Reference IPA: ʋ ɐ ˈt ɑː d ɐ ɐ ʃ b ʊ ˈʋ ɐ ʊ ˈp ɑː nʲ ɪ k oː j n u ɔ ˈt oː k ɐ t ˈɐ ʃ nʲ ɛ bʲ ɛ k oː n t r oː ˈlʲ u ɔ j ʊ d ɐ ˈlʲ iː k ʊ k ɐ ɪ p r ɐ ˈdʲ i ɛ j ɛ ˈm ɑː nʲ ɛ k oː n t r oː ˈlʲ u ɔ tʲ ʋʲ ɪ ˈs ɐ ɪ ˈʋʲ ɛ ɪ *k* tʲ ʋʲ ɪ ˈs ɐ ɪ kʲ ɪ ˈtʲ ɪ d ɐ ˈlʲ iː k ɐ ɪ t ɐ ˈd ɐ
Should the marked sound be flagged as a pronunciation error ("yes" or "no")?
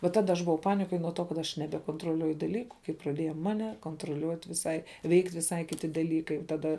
no